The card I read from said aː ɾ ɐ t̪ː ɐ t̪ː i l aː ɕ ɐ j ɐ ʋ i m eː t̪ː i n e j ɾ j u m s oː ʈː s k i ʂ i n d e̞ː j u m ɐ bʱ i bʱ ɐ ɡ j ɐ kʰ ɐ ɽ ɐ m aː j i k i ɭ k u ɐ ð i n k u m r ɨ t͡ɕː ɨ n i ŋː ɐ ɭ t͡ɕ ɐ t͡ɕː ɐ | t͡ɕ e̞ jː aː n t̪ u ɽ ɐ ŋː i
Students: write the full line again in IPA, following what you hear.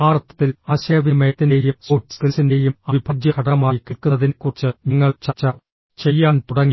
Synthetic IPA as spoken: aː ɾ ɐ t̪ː ɐ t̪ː i l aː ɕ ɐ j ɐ ʋ i m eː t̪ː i n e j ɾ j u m s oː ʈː s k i s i n d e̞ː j u m ɐ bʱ i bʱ ɐ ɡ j ɐ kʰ ɐ ɽ ɐ m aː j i k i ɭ k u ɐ ð i n k u r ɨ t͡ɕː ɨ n i ŋː ɐ ɭ t͡ɕ ɐ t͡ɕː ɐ | t͡ɕ e̞ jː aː n t̪ u ɽ ɐ ŋː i